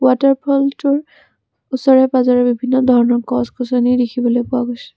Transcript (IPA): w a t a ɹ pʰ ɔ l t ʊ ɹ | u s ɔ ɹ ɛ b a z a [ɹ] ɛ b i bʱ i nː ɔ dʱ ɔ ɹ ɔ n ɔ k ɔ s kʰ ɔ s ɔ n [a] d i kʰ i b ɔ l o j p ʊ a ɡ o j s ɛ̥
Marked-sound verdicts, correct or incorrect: correct, incorrect

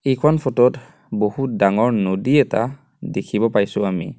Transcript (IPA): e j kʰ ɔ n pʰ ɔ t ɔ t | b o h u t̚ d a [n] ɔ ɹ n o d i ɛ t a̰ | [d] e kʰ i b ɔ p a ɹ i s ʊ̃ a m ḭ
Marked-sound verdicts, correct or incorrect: incorrect, correct

